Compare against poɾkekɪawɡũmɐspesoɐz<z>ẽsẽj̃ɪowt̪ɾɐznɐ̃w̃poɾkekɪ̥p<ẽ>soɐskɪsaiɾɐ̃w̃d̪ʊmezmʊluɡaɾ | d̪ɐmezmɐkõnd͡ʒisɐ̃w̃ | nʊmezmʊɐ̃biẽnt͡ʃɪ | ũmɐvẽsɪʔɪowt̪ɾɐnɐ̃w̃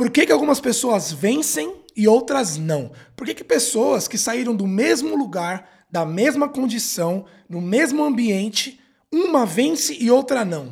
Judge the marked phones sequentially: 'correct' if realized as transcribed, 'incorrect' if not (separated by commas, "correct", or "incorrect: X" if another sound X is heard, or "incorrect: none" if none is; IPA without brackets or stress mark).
incorrect: v, incorrect: e